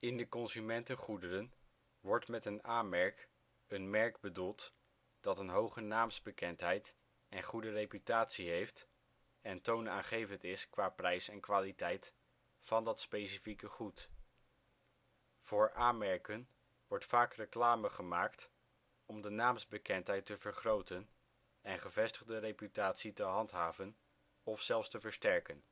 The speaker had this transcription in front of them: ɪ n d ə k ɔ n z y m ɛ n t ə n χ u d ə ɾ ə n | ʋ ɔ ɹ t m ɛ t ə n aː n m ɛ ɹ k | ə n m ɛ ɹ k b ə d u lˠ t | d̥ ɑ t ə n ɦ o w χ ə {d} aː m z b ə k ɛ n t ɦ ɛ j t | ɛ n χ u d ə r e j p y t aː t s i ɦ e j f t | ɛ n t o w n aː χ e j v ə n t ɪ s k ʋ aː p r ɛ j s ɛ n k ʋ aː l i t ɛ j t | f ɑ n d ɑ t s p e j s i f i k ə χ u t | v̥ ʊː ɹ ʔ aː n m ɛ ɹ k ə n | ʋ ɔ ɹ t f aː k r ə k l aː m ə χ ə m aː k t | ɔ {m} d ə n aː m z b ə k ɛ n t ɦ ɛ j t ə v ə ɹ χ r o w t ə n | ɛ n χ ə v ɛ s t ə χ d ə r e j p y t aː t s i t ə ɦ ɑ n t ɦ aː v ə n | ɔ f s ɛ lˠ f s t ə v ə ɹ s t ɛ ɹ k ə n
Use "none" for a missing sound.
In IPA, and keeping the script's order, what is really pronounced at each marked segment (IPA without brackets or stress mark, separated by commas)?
n, m